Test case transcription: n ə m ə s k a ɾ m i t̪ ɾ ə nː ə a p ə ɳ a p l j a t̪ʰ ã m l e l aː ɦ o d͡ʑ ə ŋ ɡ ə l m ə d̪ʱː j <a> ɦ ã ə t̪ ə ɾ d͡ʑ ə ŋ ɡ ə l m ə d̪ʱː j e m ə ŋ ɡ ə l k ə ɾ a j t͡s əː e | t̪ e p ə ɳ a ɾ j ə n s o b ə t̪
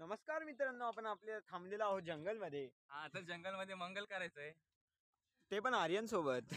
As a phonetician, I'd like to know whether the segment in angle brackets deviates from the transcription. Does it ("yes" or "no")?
yes